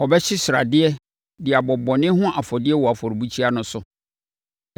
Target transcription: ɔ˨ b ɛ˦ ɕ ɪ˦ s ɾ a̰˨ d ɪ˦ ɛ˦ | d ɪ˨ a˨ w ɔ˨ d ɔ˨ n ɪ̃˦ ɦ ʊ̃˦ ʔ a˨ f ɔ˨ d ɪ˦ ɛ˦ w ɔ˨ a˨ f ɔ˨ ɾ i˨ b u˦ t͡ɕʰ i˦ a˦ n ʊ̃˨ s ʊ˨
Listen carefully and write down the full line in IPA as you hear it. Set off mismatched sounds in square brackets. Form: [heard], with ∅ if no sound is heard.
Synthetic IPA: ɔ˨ b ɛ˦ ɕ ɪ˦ s ɾ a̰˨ d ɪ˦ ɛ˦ | d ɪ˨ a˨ [b] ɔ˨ [b] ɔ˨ n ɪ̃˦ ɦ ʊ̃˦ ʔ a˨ f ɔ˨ d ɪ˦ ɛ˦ w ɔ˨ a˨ f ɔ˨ ɾ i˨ b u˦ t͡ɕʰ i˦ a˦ n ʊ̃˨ s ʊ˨